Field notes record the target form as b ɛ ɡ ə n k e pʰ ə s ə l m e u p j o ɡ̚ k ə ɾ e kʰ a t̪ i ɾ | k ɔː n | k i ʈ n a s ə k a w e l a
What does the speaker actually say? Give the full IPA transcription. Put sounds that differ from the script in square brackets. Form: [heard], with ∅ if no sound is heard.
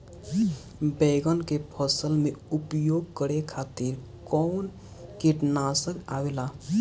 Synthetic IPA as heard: b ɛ ɡ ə n k e pʰ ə s ə l m e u p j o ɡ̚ k ə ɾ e kʰ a t̪ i ɾ | k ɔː n | k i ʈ n a s ə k a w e l a